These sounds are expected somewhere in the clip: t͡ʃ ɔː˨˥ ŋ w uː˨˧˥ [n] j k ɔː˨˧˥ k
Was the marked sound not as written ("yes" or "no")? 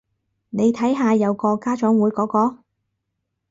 yes